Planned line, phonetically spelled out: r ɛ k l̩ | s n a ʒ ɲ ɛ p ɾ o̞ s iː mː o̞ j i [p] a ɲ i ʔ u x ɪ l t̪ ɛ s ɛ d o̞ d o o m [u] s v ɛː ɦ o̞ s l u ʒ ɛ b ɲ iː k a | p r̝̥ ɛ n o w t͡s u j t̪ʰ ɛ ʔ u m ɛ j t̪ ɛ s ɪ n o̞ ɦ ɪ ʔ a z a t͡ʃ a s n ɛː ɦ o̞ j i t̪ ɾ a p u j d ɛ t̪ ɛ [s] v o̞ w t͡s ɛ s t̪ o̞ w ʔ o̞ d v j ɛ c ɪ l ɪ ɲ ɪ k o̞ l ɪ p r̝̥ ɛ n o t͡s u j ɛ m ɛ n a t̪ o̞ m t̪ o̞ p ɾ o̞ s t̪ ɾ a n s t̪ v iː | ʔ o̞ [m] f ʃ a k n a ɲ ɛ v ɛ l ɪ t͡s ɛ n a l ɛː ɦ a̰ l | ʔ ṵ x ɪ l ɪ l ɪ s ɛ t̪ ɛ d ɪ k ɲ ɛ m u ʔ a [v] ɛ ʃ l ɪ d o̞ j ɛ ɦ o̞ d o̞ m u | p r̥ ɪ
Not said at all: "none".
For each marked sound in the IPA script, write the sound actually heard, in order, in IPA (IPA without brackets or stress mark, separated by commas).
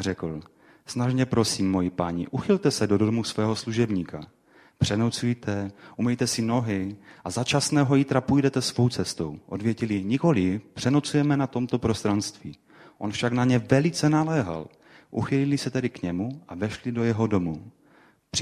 p, u, s, n, v